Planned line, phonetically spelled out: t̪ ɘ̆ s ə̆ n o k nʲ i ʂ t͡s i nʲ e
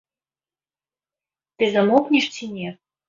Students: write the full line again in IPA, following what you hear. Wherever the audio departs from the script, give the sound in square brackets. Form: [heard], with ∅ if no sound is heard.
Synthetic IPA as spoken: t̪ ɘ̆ [z] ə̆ [m] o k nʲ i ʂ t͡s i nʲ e